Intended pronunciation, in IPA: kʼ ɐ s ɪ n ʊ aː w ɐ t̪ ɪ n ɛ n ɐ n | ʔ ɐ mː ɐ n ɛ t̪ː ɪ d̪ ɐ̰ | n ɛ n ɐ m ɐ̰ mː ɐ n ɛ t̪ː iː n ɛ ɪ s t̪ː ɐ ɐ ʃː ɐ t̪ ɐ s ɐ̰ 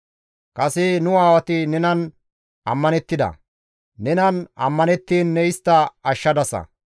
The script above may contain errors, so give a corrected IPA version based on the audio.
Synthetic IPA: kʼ ɐ s ɪ n ʊ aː w ɐ t̪ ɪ n ɛ n ɐ n | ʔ ɐ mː ɐ n ɛ t̪ː ɪ d̪ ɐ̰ | n ɛ n ɐ n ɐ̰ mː ɐ n ɛ t̪ː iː nː ɛ ɪ s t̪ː ɐ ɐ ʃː ɐ d̪ ɐ s ɐ̰